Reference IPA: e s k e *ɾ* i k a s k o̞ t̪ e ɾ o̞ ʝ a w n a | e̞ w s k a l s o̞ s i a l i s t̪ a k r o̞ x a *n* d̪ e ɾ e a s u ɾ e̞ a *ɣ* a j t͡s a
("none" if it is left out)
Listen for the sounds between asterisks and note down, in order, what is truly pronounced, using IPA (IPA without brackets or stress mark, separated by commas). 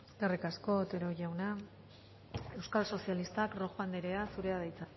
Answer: r, n, ð